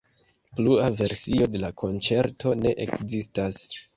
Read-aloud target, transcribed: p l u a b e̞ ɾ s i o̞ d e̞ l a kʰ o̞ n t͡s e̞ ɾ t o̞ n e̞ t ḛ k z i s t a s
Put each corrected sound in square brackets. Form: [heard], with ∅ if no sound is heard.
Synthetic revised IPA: p l u a [v] e̞ ɾ s i o̞ d e̞ l a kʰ o̞ n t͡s e̞ ɾ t o̞ n e̞ [ʔ] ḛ k z i s t a s